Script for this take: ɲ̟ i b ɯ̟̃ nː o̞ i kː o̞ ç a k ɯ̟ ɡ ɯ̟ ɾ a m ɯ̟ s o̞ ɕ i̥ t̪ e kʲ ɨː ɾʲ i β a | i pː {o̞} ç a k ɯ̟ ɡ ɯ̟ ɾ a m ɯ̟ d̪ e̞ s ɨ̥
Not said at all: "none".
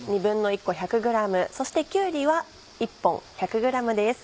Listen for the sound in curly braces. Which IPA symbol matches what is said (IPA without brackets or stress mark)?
õ̞